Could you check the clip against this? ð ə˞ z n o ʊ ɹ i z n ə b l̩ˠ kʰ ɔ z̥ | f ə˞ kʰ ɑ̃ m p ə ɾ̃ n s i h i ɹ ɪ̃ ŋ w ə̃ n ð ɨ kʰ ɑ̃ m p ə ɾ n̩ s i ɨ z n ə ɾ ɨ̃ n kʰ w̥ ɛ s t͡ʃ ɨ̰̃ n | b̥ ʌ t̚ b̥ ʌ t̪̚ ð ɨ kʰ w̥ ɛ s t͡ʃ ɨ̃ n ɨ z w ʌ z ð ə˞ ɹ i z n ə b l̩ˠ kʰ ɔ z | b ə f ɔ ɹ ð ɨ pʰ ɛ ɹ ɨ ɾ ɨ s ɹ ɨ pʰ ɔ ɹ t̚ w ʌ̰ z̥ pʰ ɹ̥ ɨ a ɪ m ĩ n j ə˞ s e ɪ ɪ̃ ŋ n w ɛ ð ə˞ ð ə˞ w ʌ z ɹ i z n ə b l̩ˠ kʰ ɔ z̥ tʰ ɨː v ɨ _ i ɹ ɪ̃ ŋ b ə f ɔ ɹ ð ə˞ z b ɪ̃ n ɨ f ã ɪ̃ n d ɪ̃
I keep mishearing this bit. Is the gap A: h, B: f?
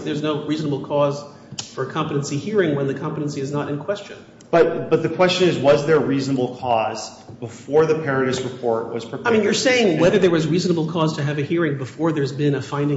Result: A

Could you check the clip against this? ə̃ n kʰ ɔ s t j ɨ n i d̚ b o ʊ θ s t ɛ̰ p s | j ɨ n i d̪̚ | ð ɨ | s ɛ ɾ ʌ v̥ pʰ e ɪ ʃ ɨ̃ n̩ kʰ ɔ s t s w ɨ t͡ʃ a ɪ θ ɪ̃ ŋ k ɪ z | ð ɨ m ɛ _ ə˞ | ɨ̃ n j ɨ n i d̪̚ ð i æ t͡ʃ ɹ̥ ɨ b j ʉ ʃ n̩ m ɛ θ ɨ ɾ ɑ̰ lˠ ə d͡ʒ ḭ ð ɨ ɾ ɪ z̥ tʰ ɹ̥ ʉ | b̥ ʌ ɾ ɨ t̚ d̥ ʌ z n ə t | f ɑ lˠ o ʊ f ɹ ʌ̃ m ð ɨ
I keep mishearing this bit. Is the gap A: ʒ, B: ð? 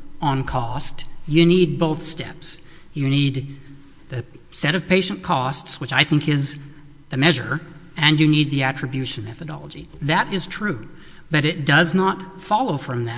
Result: A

